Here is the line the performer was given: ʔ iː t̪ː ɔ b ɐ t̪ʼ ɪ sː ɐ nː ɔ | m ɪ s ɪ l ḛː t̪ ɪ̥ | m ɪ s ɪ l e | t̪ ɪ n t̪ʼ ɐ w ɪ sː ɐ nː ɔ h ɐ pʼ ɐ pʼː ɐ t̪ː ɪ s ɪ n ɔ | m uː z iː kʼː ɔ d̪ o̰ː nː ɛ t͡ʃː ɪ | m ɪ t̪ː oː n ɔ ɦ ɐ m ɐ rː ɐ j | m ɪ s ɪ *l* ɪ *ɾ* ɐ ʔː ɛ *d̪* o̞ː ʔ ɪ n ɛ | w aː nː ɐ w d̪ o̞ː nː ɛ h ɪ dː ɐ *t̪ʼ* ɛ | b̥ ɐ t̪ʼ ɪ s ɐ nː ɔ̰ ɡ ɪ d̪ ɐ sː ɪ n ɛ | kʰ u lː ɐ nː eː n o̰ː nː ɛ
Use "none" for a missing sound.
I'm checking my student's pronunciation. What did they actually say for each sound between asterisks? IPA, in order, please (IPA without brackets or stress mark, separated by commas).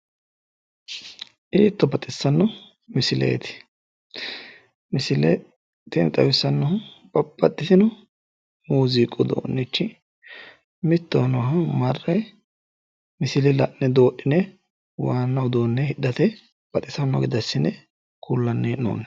l, l, d̪, t̪